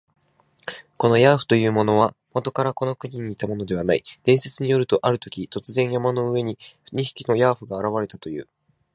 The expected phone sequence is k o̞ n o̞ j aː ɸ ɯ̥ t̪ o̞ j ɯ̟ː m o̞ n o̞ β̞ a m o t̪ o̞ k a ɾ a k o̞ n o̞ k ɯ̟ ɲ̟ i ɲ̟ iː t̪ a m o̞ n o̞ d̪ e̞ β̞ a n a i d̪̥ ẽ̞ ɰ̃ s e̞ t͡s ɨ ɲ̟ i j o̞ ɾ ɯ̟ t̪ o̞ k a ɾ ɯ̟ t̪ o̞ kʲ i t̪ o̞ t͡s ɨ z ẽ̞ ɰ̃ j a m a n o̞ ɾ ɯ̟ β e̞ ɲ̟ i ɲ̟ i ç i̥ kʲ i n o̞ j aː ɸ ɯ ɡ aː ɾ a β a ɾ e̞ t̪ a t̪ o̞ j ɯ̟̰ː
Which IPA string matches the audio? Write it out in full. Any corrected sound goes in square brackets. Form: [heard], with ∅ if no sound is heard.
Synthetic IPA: k o̞ n o̞ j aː ɸ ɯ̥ t̪ o̞ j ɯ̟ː m o̞ n o̞ β̞ a m o t̪ o̞ k a ɾ a k o̞ n o̞ k ɯ̟ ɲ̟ i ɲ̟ iː t̪ a m o̞ n o̞ d̪ e̞ β̞ a n a i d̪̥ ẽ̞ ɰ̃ s e̞ t͡s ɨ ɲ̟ i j o̞ ɾ ɯ̟ t̪ o̞ [ʔ] a ɾ ɯ̟ t̪ o̞ kʲ i t̪ o̞ t͡s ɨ z ẽ̞ ɰ̃ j a m a n o̞ [∅] ɯ̟ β e̞ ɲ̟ i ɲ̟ i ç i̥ kʲ i n o̞ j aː ɸ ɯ ɡ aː ɾ a β a ɾ e̞ t̪ a t̪ o̞ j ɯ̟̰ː